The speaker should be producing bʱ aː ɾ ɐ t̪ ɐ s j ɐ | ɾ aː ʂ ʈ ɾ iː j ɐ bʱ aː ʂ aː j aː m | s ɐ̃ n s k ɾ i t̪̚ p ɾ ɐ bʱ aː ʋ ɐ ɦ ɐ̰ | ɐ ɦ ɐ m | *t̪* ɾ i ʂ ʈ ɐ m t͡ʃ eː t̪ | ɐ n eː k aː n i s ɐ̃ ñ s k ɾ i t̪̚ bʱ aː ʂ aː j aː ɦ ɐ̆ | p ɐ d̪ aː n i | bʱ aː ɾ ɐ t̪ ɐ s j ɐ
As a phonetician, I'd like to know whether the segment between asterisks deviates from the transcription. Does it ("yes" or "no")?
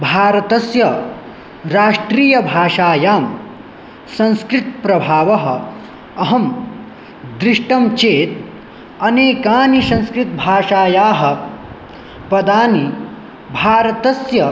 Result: yes